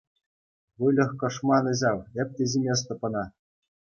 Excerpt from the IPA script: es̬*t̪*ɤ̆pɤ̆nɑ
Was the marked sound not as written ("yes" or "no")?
no